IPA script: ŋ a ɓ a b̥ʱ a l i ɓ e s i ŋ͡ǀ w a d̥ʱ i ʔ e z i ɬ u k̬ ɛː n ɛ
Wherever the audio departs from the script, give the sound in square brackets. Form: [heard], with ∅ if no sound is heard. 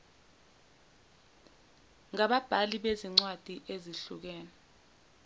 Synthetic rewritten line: ŋ a ɓ a b̥ʱ a l i ɓ e [z] i ŋ͡ǀ w a d̥ʱ i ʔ e z i ɬ u k̬ ɛː n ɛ